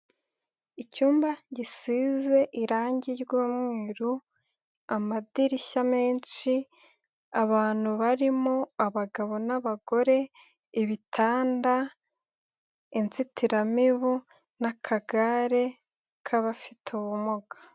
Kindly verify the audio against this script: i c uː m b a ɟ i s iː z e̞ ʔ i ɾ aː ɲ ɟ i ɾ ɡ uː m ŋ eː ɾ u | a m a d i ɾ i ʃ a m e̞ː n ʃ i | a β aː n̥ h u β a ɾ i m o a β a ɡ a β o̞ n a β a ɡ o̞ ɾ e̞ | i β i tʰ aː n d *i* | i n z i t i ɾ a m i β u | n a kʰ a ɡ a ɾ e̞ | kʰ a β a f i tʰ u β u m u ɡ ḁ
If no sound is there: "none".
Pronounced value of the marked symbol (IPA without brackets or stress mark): a